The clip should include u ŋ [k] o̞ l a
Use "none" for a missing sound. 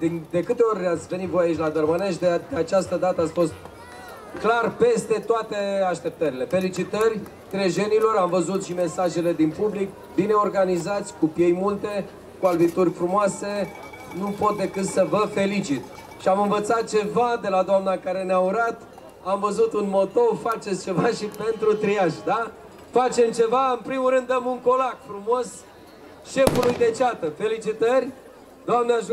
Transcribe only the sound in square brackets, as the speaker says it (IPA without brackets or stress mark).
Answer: k